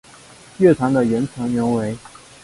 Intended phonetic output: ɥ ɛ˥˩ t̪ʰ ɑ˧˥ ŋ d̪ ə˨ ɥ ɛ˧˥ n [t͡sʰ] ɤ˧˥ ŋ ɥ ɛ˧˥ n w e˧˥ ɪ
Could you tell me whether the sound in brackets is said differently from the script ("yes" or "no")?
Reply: no